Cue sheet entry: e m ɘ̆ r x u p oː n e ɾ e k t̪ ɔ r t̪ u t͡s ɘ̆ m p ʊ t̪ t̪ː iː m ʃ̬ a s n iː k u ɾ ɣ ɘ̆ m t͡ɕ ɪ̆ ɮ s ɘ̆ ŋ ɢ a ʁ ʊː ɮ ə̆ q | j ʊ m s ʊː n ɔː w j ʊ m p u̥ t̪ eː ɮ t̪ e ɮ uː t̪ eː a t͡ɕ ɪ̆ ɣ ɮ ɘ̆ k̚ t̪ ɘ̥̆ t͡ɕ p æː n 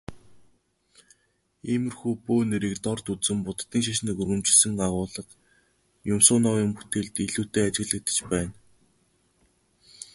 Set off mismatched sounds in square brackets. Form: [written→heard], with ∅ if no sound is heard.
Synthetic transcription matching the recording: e m ɘ̆ r x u p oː n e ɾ e k t̪ ɔ r t̪ u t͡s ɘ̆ m p ʊ t̪ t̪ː iː [m→ŋ] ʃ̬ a [s→ʃ] n iː k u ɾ ɣ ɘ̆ m t͡ɕ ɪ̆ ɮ s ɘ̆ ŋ ɢ a ʁ ʊː ɮ ə̆ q | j ʊ m s ʊː n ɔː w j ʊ m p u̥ t̪ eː ɮ t̪ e ɮ uː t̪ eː a t͡ɕ ɪ̆ ɣ ɮ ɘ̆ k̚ t̪ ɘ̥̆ t͡ɕ p æː n